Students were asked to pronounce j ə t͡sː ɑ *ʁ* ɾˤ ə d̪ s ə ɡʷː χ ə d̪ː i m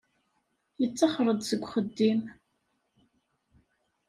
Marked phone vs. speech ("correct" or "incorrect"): incorrect